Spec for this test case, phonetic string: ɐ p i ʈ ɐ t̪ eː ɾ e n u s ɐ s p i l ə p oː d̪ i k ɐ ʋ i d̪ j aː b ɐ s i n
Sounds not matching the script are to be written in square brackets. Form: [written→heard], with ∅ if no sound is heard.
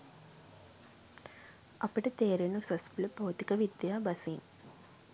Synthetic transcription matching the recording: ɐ p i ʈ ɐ t̪ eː ɾ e n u s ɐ s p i l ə p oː [d̪→t̪] i k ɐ ʋ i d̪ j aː b ɐ s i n